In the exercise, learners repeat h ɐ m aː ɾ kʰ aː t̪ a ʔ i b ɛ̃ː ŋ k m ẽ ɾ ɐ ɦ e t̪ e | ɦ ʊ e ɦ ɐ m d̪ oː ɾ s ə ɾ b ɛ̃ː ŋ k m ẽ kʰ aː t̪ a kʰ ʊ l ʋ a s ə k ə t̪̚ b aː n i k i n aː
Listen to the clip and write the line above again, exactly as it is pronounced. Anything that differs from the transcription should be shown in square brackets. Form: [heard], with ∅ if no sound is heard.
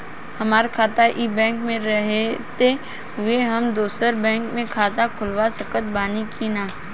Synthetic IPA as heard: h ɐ m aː ɾ kʰ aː t̪ a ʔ i b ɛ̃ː ŋ k m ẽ ɾ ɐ ɦ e t̪ e | ɦ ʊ e ɦ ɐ m d̪ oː [∅] s ə ɾ b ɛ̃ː ŋ k m ẽ kʰ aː t̪ a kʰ ʊ l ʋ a s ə k ə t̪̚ b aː n i k i n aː

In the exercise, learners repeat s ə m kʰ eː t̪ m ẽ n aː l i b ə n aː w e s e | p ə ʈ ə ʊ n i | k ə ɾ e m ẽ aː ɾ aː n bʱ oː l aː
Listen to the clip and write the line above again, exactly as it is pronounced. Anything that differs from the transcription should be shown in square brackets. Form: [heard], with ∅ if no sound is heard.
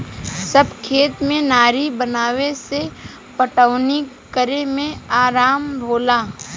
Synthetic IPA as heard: s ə [b] kʰ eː t̪ m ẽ n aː [ɾ] i b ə n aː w e s e | p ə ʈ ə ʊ n i | k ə ɾ e m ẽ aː ɾ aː [m] bʱ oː l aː

